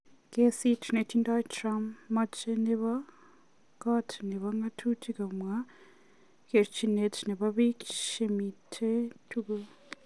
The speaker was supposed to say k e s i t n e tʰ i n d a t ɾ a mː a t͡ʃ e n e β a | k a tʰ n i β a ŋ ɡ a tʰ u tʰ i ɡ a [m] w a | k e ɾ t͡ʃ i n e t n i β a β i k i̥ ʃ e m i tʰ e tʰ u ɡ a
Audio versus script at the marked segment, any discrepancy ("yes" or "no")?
no